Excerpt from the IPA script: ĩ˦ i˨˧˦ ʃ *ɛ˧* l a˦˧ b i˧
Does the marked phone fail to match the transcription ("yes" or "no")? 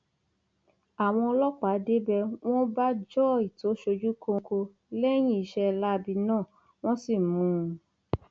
no